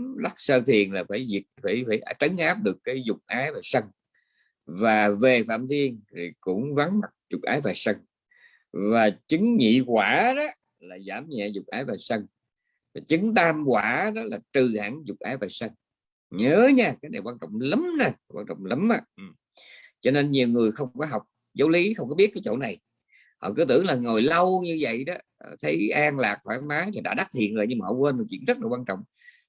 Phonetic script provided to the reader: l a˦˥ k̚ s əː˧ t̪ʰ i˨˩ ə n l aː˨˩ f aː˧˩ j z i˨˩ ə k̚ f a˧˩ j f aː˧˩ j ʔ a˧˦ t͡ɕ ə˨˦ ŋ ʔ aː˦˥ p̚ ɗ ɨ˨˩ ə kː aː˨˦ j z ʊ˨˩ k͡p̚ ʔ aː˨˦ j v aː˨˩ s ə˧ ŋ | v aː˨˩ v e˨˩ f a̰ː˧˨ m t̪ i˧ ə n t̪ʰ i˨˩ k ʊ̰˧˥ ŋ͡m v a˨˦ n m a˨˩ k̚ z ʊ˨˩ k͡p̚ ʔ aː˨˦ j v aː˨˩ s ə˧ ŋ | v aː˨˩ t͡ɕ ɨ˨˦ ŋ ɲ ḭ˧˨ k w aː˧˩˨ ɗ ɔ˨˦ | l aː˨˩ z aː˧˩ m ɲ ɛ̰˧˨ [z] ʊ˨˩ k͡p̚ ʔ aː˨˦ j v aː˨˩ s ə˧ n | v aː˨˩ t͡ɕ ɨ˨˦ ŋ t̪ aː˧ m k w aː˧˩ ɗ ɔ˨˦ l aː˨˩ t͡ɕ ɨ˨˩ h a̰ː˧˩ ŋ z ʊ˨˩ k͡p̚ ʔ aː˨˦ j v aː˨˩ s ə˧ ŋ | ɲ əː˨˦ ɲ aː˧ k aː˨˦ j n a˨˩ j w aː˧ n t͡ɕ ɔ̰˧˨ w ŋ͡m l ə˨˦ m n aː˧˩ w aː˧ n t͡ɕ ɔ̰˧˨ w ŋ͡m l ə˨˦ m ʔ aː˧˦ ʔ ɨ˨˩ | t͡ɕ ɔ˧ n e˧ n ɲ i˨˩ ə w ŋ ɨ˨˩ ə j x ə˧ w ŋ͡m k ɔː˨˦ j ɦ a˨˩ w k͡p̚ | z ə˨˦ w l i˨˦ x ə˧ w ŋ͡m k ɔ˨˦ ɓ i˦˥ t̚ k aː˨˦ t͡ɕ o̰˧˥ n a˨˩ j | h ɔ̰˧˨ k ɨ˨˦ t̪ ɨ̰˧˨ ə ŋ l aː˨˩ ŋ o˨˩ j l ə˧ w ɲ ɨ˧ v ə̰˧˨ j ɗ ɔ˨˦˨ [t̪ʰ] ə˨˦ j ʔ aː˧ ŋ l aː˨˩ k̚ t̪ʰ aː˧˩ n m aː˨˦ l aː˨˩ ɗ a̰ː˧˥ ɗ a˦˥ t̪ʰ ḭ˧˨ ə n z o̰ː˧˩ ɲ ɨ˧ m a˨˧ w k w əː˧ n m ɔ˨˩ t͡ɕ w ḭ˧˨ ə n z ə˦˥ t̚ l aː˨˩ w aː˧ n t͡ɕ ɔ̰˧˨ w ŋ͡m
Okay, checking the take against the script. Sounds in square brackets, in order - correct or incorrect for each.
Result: correct, correct

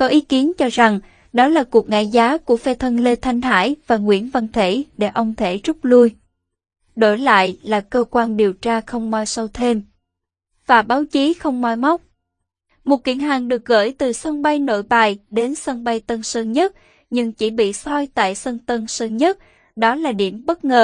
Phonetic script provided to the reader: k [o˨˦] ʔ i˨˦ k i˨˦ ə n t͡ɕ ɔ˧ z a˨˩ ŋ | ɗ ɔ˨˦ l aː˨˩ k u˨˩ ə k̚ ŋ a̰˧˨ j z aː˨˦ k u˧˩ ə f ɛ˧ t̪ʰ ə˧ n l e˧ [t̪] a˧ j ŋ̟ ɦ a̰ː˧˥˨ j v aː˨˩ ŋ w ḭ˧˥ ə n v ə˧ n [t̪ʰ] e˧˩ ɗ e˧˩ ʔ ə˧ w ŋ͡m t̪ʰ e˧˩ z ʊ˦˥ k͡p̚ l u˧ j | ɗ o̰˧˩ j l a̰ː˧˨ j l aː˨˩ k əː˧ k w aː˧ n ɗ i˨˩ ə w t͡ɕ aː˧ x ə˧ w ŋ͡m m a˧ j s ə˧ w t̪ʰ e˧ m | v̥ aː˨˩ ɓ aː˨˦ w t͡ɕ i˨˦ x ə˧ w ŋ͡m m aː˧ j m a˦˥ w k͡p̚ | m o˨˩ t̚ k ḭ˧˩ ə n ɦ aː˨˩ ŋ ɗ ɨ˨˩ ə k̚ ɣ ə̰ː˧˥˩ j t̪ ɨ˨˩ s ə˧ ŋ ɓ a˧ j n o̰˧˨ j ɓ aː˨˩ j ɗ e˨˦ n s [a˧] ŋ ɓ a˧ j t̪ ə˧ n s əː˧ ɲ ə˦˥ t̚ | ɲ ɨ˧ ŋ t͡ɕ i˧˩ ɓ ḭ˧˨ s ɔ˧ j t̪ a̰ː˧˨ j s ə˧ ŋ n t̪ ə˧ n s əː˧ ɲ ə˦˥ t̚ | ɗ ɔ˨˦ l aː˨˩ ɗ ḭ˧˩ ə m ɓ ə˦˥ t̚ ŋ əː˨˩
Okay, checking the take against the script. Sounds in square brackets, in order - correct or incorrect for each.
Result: incorrect, incorrect, correct, incorrect

